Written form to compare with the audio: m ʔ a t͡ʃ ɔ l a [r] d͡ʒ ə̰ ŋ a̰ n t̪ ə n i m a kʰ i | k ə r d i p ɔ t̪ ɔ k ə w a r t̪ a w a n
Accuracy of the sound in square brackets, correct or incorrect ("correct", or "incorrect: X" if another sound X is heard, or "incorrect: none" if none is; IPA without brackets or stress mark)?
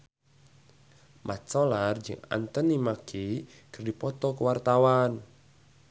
correct